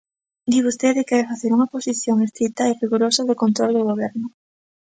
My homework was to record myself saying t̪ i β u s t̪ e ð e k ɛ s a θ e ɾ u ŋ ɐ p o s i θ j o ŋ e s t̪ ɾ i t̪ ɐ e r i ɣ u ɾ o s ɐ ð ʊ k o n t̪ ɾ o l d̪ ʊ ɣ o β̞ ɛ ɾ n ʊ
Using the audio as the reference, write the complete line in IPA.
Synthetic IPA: d̪ i β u s t̪ e ð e k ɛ f a θ e ɾ u ŋ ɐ p o s i θ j o ŋ e s t̪ ɾ i t̪ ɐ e r i ɣ u ɾ o s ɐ ð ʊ k o n t̪ ɾ o l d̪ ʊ ɣ o β̞ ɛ ɾ n ʊ